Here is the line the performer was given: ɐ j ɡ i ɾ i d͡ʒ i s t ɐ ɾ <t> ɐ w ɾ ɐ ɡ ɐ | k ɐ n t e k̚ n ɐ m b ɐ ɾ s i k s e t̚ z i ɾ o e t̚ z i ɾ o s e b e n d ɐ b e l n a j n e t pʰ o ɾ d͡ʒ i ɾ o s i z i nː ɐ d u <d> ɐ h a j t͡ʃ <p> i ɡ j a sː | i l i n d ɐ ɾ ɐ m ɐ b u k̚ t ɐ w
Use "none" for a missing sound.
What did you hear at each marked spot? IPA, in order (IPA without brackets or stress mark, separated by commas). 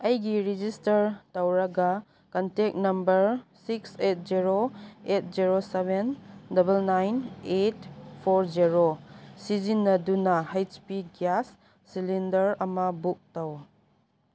t, n, p